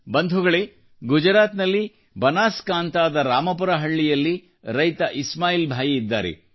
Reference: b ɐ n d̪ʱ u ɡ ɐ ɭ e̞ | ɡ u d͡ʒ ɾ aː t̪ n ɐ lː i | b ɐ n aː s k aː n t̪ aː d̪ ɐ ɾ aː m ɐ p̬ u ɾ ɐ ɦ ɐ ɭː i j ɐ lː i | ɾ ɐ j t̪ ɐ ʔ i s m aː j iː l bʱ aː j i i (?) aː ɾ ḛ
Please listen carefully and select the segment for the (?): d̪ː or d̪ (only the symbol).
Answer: d̪ː